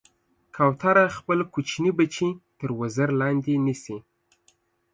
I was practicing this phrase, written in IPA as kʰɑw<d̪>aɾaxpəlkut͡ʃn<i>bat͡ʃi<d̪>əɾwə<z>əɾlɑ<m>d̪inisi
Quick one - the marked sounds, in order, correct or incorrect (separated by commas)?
incorrect, correct, incorrect, correct, incorrect